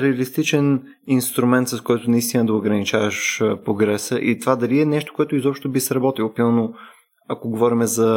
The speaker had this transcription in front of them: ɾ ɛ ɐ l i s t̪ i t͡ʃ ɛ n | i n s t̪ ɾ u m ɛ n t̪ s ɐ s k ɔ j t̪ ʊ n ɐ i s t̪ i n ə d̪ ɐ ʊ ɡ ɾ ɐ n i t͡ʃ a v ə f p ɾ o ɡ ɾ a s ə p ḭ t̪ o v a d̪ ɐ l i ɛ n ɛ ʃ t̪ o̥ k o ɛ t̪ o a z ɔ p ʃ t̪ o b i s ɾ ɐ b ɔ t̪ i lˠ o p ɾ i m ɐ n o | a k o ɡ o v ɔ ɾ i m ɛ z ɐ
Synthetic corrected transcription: ɾ ɛ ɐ l i s t̪ i t͡ʃ ɛ n | i n s t̪ ɾ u m ɛ n t̪ s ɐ s k ɔ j t̪ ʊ n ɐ i s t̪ i n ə d̪ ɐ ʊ ɡ ɾ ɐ n i t͡ʃ a v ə ʃ p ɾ o ɡ ɾ ɛ s ə ʔ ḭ t̪ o v a d̪ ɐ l i ɛ n ɛ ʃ t̪ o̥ k o ɛ t̪ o i z ɔ p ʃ t̪ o b i s ɾ ɐ b ɔ t̪ i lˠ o p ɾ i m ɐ n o | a k o ɡ o v ɔ ɾ i m ɛ z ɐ